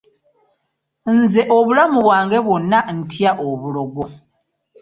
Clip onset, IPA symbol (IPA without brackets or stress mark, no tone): n